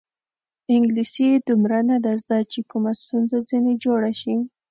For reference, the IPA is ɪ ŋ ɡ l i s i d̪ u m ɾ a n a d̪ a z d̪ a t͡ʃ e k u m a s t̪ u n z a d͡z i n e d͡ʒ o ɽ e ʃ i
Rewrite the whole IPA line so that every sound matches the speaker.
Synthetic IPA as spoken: ɪ ŋ ɡ l i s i d̪ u m ɾ a n a d̪ a z d̪ a t͡ʃ e k u m a s t̪ u n z a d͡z i n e d͡ʒ o ɽ a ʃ i